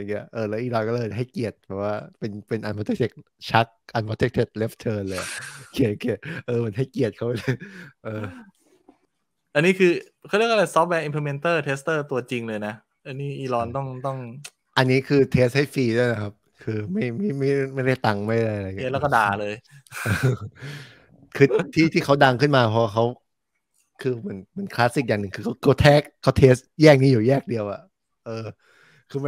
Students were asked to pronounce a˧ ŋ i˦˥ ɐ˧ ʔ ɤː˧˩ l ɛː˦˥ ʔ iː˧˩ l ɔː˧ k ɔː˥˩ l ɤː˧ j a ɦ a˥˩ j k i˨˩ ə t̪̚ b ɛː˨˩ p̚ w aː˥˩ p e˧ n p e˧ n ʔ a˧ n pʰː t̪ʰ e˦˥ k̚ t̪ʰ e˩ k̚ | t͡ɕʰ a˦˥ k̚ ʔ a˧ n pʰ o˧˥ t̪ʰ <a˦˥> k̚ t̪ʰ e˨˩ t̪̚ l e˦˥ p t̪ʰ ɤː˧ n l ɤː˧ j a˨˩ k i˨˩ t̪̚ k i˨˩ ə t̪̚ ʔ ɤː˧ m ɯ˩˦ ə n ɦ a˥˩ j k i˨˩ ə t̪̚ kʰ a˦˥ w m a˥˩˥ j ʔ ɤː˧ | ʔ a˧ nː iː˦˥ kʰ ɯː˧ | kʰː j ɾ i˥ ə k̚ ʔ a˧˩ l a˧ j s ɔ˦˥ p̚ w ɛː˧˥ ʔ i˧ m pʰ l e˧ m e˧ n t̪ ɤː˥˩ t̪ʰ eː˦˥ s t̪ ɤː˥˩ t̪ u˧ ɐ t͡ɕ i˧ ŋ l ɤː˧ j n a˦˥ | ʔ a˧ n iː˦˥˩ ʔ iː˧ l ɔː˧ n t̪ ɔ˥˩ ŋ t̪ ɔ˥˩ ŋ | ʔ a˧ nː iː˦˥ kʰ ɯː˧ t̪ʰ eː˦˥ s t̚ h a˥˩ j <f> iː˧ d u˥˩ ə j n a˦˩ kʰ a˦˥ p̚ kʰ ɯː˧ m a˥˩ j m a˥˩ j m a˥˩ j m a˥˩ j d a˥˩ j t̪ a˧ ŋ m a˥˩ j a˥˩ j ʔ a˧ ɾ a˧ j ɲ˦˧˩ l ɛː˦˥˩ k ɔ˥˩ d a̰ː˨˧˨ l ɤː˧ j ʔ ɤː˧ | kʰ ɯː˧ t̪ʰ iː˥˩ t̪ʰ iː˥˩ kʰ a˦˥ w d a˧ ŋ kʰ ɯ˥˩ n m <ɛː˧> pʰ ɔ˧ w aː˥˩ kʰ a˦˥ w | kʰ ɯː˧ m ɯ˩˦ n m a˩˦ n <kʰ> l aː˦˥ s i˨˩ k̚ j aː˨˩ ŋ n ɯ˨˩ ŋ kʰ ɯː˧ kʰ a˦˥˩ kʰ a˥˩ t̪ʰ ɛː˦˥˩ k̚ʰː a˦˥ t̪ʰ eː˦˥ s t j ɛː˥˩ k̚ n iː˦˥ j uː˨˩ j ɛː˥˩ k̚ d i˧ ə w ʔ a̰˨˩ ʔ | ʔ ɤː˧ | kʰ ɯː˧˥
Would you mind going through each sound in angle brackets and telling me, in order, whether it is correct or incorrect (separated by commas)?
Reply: incorrect, correct, incorrect, correct